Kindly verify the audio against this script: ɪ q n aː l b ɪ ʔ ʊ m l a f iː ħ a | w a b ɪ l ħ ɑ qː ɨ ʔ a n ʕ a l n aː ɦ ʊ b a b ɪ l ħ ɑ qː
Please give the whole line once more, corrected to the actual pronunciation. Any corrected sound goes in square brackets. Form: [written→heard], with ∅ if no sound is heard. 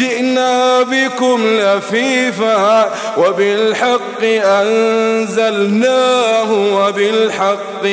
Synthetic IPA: ɪ [q→ʔ] n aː [l→∅] b ɪ [ʔ→k] ʊ m l a f iː [ħ→f] a | w a b ɪ l ħ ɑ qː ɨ ʔ a n [ʕ→z] a l n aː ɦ ʊ [b→w] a b ɪ l ħ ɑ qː